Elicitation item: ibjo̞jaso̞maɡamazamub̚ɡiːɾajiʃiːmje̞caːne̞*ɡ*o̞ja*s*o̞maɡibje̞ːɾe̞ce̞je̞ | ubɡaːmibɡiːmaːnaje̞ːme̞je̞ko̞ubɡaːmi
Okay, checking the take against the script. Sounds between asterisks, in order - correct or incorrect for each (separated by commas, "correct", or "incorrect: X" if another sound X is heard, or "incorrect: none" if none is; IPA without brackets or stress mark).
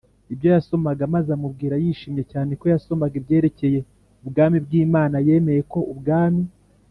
incorrect: k, correct